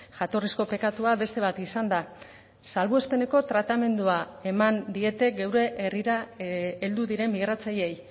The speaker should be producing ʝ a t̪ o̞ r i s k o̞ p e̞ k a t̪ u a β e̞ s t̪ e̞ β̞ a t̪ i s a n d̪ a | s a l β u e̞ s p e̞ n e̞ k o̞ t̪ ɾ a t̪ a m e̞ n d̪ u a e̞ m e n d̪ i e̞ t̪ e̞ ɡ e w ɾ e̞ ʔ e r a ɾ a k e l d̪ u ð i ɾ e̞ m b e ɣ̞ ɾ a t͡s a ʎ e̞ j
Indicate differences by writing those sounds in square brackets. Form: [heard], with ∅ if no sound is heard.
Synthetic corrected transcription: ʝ a t̪ o̞ r i s k o̞ p e̞ k a t̪ u a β e̞ s t̪ e̞ β̞ a t̪ i s a n d̪ a | s a l β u e̞ s p e̞ n e̞ k o̞ t̪ ɾ a t̪ a m e̞ n d̪ u a e̞ m [a] n d̪ i e̞ t̪ e̞ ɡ e w ɾ e̞ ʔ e r [i] ɾ a [∅] e l d̪ u ð i ɾ e̞ m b [i] ɣ̞ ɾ a t͡s a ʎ e̞ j